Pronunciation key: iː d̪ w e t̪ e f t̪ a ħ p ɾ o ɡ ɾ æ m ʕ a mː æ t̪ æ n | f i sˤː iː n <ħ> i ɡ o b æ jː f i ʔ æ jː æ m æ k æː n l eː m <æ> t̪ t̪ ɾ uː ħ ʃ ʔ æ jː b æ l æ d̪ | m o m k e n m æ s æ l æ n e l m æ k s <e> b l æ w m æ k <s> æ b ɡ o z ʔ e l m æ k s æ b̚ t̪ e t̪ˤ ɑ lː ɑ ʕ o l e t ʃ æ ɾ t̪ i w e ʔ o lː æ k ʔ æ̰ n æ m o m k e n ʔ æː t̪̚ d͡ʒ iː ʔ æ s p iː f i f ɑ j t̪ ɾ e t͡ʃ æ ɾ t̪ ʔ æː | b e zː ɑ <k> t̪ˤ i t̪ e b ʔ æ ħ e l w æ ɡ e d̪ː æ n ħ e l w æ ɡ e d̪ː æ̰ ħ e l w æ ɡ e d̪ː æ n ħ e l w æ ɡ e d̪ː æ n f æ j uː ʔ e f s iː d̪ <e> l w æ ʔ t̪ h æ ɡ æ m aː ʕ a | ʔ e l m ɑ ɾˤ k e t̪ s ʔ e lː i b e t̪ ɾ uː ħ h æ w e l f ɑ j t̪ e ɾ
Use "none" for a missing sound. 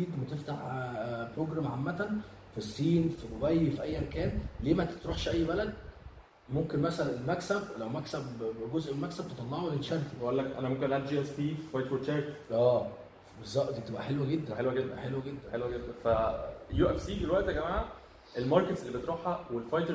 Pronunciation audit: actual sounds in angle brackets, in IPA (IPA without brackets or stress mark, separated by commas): f, æ, æ, s, ʔ, e